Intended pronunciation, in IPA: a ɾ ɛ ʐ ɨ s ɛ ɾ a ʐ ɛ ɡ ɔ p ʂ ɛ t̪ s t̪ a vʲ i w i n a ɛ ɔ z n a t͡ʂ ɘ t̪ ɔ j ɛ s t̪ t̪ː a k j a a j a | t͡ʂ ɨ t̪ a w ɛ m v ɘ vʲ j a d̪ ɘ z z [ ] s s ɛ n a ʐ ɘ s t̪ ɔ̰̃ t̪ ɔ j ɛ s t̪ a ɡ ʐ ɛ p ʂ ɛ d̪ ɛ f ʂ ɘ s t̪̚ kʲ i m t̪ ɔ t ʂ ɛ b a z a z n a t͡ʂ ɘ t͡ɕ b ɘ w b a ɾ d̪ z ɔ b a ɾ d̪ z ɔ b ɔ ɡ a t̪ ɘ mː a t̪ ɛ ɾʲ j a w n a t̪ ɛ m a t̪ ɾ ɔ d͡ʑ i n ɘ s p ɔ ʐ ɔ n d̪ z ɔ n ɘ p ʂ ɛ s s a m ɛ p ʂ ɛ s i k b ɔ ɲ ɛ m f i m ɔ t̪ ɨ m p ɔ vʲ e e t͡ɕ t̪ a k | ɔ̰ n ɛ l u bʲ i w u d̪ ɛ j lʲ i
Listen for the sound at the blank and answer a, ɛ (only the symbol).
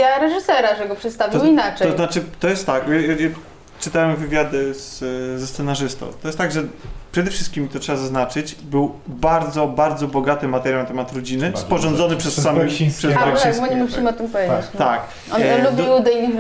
ɛ